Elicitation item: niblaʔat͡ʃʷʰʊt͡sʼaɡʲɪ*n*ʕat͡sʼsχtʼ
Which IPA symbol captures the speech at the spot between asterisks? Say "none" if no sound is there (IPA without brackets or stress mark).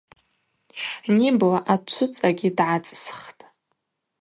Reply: d